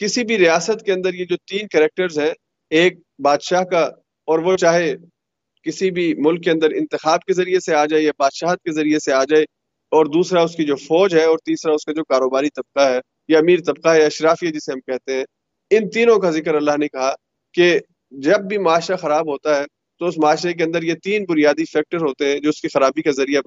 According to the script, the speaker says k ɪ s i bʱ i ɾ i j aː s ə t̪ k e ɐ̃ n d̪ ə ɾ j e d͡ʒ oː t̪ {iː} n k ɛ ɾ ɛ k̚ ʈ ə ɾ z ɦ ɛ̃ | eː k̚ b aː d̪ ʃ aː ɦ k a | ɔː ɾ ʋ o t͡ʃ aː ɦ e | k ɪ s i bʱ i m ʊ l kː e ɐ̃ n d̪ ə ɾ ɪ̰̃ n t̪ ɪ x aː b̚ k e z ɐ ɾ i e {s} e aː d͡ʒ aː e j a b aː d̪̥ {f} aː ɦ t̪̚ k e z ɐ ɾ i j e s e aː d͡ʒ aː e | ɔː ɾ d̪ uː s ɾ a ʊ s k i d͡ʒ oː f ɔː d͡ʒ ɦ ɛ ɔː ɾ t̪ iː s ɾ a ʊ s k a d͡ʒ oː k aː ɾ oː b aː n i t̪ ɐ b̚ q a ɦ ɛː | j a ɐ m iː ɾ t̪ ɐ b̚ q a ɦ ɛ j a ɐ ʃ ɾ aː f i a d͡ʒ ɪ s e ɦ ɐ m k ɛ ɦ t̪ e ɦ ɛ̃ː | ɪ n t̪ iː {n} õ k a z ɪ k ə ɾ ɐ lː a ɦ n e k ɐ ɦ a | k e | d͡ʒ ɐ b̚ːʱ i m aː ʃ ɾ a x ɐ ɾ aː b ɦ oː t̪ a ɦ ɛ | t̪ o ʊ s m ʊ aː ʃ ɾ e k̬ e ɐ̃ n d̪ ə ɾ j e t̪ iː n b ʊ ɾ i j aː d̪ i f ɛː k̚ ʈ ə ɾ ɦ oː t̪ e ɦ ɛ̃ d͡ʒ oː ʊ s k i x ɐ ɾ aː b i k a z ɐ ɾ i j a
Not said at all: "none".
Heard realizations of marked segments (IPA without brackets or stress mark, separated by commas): iː, s, ʃ, n